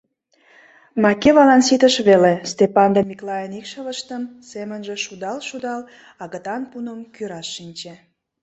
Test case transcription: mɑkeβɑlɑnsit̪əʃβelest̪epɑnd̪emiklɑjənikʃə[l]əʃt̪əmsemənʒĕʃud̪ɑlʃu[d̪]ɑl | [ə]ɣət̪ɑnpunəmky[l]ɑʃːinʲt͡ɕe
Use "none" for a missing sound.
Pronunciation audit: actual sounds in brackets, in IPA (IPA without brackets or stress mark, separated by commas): l, d̪, ɑ, ɾ